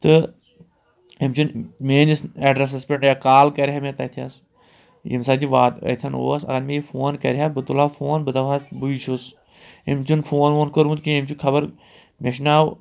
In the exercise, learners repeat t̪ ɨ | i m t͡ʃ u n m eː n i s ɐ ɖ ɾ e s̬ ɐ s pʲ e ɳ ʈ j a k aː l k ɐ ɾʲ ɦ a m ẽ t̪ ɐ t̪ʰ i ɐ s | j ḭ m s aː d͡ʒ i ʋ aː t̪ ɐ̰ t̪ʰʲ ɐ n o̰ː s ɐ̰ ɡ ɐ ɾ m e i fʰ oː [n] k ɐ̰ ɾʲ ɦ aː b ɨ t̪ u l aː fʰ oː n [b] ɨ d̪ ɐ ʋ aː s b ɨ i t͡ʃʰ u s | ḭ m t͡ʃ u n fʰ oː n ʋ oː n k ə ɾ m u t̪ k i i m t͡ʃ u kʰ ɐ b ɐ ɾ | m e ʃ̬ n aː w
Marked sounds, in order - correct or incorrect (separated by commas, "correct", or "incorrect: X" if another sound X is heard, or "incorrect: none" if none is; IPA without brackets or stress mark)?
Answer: correct, correct